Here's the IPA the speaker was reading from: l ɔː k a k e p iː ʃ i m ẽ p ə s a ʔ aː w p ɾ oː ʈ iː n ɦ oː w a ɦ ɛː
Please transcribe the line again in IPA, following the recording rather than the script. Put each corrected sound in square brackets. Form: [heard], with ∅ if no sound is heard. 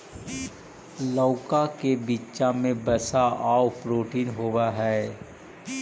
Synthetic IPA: l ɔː k a k e [b] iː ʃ [a] m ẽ [b] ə s a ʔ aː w p ɾ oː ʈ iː n ɦ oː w a ɦ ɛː